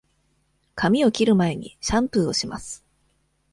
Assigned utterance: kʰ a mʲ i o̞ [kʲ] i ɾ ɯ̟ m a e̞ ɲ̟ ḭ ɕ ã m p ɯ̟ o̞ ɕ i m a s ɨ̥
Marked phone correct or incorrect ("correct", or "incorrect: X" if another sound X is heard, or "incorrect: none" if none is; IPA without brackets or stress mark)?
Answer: correct